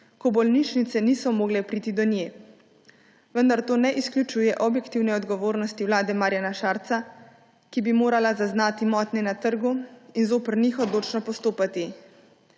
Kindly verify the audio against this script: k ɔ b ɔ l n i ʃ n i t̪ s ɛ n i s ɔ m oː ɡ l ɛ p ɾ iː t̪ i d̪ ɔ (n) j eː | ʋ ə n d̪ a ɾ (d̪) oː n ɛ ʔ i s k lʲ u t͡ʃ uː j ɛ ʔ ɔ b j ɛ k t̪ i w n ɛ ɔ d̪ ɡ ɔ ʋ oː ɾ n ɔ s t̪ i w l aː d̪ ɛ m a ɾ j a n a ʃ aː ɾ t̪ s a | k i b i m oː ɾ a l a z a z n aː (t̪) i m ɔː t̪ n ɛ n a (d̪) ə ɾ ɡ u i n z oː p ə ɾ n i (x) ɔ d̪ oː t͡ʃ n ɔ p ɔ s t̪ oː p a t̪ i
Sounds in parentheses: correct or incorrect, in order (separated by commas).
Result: correct, incorrect, correct, incorrect, correct